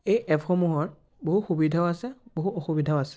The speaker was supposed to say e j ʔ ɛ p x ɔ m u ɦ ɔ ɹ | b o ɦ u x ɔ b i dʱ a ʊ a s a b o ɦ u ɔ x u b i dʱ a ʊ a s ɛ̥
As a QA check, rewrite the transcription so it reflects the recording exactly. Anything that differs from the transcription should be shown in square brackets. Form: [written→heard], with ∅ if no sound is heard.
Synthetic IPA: e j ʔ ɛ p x ɔ m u ɦ ɔ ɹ | b o ɦ u x [ɔ→u] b i dʱ a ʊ a s [a→ɛ] b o ɦ u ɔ x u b i dʱ a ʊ a s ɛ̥

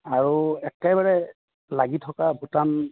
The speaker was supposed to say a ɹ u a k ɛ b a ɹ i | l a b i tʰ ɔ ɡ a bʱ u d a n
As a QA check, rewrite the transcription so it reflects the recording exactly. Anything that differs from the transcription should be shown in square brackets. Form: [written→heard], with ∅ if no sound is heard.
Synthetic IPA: a ɹ u [a→ɛ] k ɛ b a ɹ [i→ɛ] | l a [b→ɡ] i tʰ ɔ [ɡ→k] a bʱ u [d→t] a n

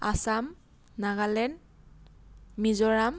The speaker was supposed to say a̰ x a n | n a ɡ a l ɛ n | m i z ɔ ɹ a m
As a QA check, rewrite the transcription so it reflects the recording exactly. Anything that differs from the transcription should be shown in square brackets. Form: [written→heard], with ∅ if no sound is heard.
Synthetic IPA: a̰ [x→s] a [n→m] | n a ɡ a l ɛ n | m i z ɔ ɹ a m

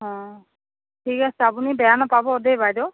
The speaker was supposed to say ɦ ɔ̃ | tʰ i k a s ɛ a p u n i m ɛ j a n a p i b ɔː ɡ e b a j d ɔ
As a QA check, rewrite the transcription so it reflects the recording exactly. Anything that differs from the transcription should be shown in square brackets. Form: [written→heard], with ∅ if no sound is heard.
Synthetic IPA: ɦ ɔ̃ | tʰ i k a s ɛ a p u n i [m→b] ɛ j a n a p [i→a] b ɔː [ɡ→d] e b a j d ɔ

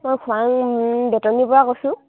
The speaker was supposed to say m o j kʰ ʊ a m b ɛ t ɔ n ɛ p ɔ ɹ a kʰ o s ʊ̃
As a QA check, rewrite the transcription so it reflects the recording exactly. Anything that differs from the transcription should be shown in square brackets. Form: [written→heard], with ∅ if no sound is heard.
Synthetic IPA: m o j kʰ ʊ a [m→ŋ] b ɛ t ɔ n [ɛ→i] p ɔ ɹ a [kʰ→k] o s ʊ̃

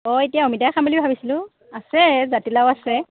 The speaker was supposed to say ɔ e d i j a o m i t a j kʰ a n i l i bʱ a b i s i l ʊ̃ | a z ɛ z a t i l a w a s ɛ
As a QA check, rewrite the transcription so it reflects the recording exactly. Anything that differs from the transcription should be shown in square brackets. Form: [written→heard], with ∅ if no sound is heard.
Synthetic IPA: ɔ e [d→t] i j a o m i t a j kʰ a [n→m] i l i bʱ a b i s i l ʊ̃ | a [z→s] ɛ z a t i l a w a s ɛ

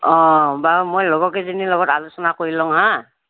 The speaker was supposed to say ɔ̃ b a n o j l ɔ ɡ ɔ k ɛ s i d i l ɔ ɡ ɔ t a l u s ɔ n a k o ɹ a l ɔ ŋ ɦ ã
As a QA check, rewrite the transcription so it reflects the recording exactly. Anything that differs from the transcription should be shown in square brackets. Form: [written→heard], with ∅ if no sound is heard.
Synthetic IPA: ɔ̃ b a [n→m] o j l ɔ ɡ ɔ k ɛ [s→z] i [d→n] i l ɔ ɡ ɔ t a l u s ɔ n a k o ɹ [a→i] l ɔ ŋ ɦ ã

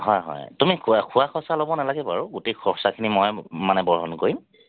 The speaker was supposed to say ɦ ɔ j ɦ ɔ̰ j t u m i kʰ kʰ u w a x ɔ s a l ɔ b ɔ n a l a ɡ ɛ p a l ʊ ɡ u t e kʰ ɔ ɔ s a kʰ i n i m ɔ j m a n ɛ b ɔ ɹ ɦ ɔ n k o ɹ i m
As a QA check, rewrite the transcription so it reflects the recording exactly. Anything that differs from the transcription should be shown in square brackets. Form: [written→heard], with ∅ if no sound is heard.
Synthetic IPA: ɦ ɔ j ɦ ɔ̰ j t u m i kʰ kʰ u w a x ɔ s a l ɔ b ɔ n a l a ɡ ɛ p a [l→ɹ] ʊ ɡ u t e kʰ ɔ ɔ s a kʰ i n i m ɔ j m a n ɛ b ɔ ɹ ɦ ɔ n k o ɹ i m

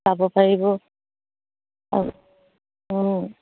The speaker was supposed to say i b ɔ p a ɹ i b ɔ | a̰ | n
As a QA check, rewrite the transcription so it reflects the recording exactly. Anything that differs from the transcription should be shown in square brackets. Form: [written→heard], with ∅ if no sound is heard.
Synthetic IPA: [i→a] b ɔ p a ɹ i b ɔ | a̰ | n

